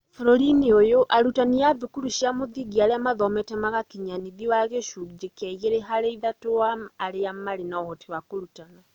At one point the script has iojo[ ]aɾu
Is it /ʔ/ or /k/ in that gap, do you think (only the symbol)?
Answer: ʔ